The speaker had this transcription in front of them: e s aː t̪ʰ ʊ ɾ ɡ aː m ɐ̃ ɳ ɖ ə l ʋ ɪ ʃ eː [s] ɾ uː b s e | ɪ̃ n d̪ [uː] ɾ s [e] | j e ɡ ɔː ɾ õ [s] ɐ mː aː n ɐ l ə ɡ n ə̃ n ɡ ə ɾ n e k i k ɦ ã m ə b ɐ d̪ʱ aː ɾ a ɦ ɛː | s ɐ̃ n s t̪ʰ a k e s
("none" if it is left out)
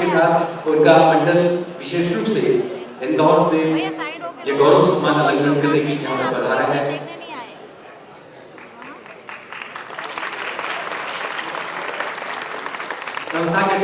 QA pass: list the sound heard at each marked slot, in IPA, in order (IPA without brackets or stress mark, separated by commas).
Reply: ʃ, ɔː, e, s